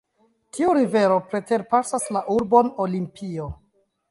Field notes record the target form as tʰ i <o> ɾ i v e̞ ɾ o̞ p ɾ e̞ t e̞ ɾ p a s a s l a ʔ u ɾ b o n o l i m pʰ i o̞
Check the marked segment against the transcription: incorrect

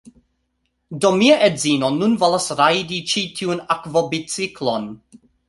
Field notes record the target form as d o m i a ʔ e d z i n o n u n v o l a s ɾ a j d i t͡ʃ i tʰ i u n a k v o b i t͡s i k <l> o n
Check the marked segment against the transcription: correct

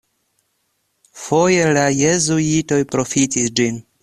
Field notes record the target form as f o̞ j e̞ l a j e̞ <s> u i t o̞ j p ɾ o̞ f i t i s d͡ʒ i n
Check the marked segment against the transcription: incorrect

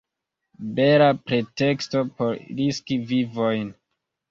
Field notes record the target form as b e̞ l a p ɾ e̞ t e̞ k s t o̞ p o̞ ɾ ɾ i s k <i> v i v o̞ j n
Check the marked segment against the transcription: correct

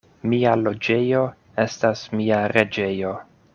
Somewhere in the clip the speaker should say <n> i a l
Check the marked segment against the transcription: incorrect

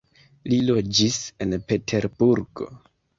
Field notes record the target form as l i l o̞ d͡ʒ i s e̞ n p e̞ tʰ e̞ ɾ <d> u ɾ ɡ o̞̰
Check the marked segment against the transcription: incorrect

